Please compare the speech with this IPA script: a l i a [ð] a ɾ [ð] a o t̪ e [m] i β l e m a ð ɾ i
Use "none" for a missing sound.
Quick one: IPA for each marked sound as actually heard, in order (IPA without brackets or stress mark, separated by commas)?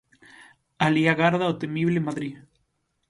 ɣ, ð, m